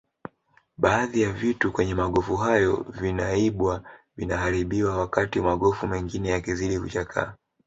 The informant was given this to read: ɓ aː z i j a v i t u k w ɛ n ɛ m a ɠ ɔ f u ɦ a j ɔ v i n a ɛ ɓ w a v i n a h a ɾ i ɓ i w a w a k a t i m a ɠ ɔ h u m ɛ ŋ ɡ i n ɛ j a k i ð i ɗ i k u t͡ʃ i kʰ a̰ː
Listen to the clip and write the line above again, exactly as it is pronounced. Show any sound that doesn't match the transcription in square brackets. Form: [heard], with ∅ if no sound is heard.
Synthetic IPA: ɓ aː [ð] i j a v i t u k w ɛ [ɲ] ɛ m a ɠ ɔ f u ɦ a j ɔ v i n a [i] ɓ w a v i n a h a ɾ i ɓ i w a w a k a t i m a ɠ ɔ [f] u m ɛ ŋ ɡ i n ɛ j a k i [z] i ɗ i k u t͡ʃ [a] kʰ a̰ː